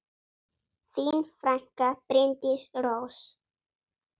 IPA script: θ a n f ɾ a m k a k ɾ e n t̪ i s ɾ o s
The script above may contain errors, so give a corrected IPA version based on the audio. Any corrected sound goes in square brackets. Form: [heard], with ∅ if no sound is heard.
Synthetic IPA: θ [i] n f ɾ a [ŋ] k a [p] ɾ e n t̪ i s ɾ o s